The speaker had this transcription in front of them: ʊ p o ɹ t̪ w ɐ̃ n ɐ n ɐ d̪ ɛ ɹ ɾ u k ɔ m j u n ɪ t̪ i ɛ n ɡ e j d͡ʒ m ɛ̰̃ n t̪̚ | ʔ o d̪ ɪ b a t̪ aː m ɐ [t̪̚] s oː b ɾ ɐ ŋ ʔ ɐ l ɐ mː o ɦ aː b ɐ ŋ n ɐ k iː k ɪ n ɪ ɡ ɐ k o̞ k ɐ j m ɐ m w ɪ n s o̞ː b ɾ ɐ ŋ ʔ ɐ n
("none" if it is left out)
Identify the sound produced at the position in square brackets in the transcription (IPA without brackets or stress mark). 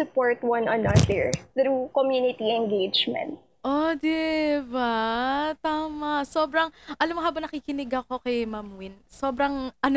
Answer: none